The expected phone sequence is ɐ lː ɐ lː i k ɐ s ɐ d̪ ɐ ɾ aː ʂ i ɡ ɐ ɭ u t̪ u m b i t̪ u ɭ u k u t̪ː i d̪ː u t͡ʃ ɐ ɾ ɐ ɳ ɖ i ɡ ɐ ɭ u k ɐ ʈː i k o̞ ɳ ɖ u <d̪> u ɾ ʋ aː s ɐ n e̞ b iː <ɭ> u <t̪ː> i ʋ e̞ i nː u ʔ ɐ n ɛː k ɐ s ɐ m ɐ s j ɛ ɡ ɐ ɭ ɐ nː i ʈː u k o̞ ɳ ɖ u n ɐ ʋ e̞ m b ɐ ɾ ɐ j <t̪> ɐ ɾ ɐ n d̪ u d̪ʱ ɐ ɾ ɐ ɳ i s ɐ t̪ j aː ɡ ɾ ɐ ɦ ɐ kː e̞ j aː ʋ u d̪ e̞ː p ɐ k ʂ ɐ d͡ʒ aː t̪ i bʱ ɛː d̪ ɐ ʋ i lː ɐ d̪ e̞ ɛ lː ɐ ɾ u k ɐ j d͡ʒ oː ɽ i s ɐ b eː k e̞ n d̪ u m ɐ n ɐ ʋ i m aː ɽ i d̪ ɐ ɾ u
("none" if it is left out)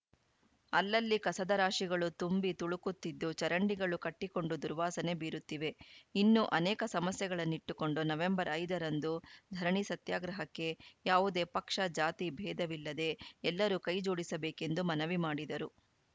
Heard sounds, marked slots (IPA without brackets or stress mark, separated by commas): d̪, ɾ, t̪ː, d̪